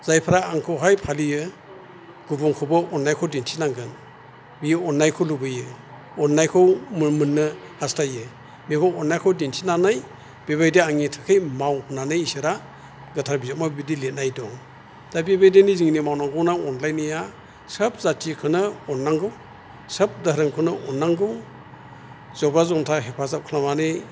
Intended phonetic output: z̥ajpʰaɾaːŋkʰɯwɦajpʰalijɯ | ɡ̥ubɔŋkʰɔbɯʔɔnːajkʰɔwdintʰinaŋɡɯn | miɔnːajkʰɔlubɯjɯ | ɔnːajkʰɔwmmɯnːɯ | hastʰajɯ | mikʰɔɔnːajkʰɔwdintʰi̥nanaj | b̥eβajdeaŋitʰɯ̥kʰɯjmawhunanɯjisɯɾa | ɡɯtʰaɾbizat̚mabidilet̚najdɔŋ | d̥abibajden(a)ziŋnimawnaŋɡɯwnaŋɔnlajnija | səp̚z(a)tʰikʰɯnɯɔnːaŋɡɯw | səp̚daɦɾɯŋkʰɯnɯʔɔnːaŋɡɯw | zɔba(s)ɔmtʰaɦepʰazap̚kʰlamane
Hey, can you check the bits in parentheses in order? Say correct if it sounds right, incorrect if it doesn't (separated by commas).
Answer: incorrect, correct, incorrect